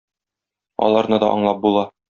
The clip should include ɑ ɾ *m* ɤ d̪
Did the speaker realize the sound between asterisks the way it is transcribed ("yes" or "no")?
no